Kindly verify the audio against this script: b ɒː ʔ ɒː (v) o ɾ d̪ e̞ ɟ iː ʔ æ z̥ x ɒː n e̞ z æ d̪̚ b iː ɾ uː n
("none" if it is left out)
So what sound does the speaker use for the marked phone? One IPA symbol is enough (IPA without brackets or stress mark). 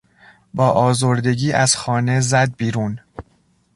z